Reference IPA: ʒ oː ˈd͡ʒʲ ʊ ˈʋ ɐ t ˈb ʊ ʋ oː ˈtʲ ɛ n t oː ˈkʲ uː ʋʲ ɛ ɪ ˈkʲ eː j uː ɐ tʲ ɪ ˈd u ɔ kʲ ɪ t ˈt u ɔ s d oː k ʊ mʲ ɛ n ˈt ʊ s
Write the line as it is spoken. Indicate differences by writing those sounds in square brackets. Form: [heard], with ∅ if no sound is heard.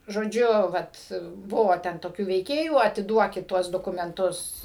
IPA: ʒ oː ˈd͡ʒʲ ʊ ˈʋ ɐ t ˈb ʊ ʋ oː ˈtʲ ɛ n t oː ˈkʲ uː ʋʲ ɛ ɪ ˈkʲ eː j uː ɐ tʲ ɪ ˈd u ɔ kʲ ɪ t ˈt u ɔ s d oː k ʊ mʲ ɛ n ˈt ʊ s